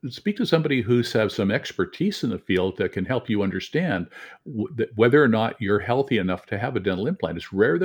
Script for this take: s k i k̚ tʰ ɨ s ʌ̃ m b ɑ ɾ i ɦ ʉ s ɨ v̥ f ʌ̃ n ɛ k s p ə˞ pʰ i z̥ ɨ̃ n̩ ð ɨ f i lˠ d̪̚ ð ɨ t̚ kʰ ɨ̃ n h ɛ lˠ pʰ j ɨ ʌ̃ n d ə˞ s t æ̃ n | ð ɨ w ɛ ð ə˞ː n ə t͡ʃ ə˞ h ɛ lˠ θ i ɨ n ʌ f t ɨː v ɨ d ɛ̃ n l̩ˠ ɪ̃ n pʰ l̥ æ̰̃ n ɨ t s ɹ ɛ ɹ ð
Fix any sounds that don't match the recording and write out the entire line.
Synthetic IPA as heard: s p i k̚ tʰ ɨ s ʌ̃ m b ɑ ɾ i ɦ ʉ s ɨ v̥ s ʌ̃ m ɛ k s p ə˞ tʰ i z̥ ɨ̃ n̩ ð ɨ f i lˠ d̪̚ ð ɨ t̚ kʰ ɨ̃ n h ɛ lˠ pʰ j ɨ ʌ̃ n d ə˞ s t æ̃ n | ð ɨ w ɛ ð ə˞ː n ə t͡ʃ ə˞ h ɛ lˠ θ i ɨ n ʌ f tʰ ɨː v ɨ d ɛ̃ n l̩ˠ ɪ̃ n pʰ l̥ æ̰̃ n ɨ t s ɹ ɛ ɹ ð